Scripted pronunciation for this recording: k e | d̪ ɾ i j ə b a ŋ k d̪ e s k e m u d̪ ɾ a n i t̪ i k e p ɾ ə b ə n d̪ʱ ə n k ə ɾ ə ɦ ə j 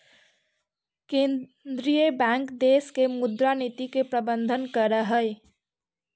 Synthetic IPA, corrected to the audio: k e | d̪ ɾ i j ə b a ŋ k d̪ e s k e m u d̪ ɾ a n i t̪ i k e p ɾ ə b ə n d̪ʱ ə n k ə ɾ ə ɦ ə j